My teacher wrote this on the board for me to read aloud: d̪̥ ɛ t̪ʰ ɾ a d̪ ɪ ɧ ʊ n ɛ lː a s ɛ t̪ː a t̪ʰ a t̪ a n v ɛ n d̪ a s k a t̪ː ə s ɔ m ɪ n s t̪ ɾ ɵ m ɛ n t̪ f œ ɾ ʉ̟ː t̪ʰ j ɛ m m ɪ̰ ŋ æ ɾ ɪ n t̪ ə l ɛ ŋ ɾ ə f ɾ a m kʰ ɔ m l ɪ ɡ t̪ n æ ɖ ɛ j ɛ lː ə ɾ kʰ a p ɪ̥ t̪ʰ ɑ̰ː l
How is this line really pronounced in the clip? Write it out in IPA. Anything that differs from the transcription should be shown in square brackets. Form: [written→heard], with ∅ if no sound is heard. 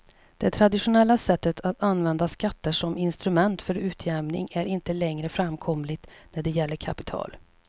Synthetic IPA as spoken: d̪̥ ɛ t̪ʰ ɾ a d̪ ɪ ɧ ʊ n ɛ lː a s ɛ t̪ː [a→ə] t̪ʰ a t̪ a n v ɛ n d̪ a s k a t̪ː ə [s→ʂ] ɔ m ɪ n s t̪ ɾ ɵ m ɛ n t̪ f œ ɾ ʉ̟ː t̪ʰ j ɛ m [m→n] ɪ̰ ŋ æ ɾ ɪ n t̪ ə l ɛ ŋ ɾ ə f ɾ a m kʰ ɔ m l ɪ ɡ t̪ n æ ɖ ɛ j ɛ lː ə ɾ kʰ a p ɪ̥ t̪ʰ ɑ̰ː l

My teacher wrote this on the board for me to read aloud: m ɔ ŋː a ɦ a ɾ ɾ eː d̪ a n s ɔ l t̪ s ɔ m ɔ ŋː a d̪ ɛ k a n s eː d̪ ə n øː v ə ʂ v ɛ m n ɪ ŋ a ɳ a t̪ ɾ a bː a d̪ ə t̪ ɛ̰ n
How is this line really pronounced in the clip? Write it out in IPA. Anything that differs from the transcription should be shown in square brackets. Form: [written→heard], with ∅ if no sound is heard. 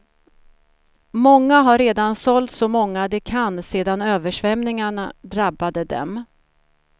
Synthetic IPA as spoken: m ɔ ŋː a ɦ a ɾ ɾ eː d̪ a n s ɔ l t̪ s ɔ m ɔ ŋː a d̪ ɛ [k→kʰ] a n s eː d̪ [ə→a] n øː v ə ʂ v ɛ m n ɪ ŋ a ɳ a [t̪→d̪] ɾ a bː a d̪ ə [t̪→d̪] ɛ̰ [n→m]

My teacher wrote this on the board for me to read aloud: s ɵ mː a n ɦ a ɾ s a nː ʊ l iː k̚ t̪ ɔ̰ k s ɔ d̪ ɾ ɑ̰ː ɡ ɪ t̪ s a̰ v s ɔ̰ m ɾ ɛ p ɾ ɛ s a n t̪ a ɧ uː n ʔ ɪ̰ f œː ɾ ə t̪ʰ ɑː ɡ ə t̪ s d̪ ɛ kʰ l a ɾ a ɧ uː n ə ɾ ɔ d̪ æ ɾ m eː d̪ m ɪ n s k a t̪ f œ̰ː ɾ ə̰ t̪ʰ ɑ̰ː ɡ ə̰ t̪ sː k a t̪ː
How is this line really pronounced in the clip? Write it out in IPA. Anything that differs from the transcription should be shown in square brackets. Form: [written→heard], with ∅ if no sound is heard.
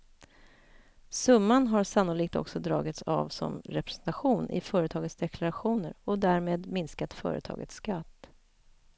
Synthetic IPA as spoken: s ɵ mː a n ɦ a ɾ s a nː ʊ l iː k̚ t̪ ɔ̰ k s ɔ d̪ ɾ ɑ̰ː ɡ ɪ t̪ s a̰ v s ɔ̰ m ɾ ɛ p ɾ ɛ s [a→ɛ] n t̪ a ɧ uː n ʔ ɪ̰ f œː ɾ ə t̪ʰ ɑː ɡ ə t̪ s d̪ ɛ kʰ l a ɾ a ɧ uː n ə ɾ ɔ d̪ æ ɾ m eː d̪ m ɪ n s k a t̪ f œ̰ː ɾ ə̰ t̪ʰ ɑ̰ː ɡ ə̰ t̪ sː k a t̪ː

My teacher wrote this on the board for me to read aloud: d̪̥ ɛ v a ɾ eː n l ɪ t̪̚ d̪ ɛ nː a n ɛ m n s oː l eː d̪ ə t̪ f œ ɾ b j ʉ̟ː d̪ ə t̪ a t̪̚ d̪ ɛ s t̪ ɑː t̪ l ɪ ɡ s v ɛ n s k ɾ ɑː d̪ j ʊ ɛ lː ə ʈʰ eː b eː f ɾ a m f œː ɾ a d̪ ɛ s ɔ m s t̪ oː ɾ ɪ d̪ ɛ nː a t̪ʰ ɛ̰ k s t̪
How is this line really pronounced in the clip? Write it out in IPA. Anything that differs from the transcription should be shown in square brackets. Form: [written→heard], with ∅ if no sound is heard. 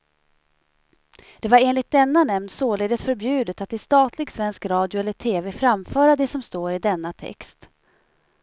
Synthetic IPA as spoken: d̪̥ ɛ v a ɾ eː n l ɪ t̪̚ d̪ ɛ nː a n ɛ m n s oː l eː d̪ ə t̪ f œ ɾ b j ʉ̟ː d̪ ə t̪ a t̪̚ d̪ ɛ s t̪ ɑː t̪ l ɪ ɡ s v ɛ n s k ɾ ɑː d̪ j ʊ ɛ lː ə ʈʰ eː [b→v] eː f ɾ a m f œː ɾ a d̪ ɛ s ɔ m s t̪ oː ɾ ɪ d̪ ɛ nː a t̪ʰ ɛ̰ k s t̪

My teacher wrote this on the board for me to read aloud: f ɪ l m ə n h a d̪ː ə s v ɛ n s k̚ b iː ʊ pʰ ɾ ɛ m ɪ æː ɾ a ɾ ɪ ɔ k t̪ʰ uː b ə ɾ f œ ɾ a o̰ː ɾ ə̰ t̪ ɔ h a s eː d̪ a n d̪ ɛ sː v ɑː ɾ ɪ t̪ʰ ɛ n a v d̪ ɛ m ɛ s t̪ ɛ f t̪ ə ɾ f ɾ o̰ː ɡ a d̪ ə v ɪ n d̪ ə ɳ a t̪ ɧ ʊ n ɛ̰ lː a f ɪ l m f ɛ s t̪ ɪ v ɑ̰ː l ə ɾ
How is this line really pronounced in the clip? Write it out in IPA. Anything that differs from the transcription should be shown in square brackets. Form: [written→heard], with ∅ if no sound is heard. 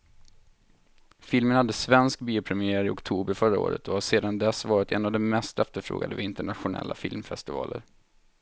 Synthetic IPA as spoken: f ɪ l m ə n h a d̪ː ə s v ɛ n s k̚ b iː ʊ pʰ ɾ ɛ m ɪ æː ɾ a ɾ ɪ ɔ k t̪ʰ uː b ə ɾ f œ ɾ a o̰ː ɾ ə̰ t̪ ɔ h a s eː d̪ a n d̪ ɛ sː v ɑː ɾ ɪ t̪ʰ ɛ n a v d̪ ɛ m ɛ s t̪ ɛ f t̪ ə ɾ f ɾ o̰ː ɡ a d̪ ə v ɪ n [d̪→t̪] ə ɳ a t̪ ɧ ʊ n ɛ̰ lː a f ɪ l m f ɛ s t̪ ɪ v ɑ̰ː l ə ɾ

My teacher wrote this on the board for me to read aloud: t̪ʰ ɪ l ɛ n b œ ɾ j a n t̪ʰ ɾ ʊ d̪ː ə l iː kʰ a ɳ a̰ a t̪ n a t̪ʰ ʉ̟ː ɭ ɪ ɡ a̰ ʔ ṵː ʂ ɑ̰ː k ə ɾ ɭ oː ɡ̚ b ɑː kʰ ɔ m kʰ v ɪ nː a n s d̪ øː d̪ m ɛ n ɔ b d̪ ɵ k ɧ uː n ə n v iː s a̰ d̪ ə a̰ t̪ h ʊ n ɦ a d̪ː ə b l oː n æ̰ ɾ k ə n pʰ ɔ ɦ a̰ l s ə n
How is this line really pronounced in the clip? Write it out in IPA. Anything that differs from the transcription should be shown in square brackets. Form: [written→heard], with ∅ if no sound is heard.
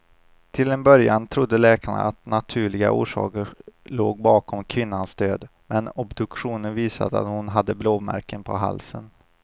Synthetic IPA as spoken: t̪ʰ ɪ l ɛ n b œ ɾ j a n t̪ʰ ɾ ʊ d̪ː ə l [iː→ɛː] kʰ a ɳ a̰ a t̪ n a t̪ʰ ʉ̟ː ɭ ɪ ɡ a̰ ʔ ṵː ʂ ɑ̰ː k ə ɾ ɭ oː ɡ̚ b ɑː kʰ ɔ m kʰ v ɪ nː a n s d̪ øː d̪ m ɛ n ɔ b d̪ ɵ k ɧ uː n ə n v iː s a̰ d̪ ə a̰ t̪ h ʊ n ɦ a d̪ː ə b l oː [n→m] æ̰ ɾ k ə n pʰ ɔ ɦ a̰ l s ə n

